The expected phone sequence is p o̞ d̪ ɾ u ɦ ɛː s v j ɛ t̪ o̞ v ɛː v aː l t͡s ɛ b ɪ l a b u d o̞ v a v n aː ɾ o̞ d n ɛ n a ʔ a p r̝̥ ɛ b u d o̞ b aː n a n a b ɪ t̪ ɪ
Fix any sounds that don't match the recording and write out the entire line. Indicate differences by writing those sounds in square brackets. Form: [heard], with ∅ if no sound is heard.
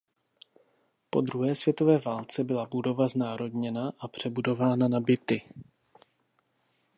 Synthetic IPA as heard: p o̞ d̪ ɾ u ɦ ɛː s v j ɛ t̪ o̞ v ɛː v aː l t͡s ɛ b ɪ l a b u d o̞ v a [z] n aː ɾ o̞ d [ɲ] ɛ n a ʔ a p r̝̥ ɛ b u d o̞ [v] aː n a n a b ɪ t̪ ɪ